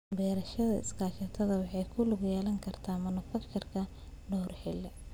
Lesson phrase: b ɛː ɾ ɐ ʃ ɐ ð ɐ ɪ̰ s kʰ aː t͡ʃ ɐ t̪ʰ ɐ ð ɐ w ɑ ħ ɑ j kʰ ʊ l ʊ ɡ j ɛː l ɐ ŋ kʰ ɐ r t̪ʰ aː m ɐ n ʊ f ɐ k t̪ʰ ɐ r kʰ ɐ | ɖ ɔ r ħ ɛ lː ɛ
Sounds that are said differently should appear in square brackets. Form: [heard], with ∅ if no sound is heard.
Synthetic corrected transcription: b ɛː ɾ ɐ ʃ ɐ ð ɐ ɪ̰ s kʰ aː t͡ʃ ɐ t̪ʰ ɐ ð ɐ w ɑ ħ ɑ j kʰ ʊ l ʊ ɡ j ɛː l ɐ ŋ kʰ ɐ r t̪ʰ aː m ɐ n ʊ f ɐ k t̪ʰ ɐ r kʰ ɐ | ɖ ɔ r ħ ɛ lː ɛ